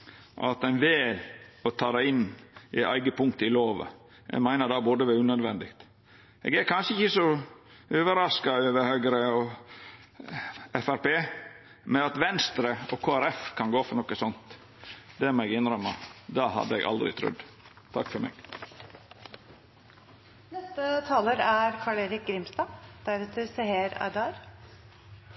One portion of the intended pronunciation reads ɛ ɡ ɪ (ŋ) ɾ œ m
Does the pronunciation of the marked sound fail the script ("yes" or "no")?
yes